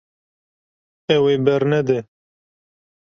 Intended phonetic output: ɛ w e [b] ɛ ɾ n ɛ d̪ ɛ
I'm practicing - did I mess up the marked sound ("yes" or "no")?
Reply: no